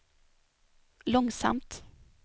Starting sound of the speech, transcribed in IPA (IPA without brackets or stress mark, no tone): l